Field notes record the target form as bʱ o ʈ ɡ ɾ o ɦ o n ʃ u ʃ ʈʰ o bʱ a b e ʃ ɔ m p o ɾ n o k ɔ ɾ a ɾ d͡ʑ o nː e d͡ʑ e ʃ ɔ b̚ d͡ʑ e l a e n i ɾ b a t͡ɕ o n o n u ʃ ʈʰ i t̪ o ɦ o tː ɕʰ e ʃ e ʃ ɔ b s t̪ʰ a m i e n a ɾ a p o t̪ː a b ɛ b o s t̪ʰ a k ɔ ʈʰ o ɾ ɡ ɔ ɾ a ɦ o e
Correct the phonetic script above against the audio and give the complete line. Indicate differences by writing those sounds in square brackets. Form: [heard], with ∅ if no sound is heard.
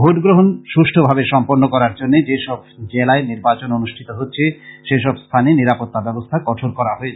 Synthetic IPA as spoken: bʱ o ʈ ɡ ɾ o ɦ o n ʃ u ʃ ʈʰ o bʱ a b e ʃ ɔ m p o ɾ n o k ɔ ɾ a ɾ d͡ʑ o nː e d͡ʑ e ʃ ɔ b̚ d͡ʑ e l a e n i ɾ b a t͡ɕ o n o n u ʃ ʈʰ i t̪ o ɦ o tː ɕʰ e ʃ e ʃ ɔ b s t̪ʰ a [n] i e n [i] ɾ a p o t̪ː a b ɛ b o s t̪ʰ a k ɔ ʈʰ o ɾ [k] ɔ ɾ a ɦ o e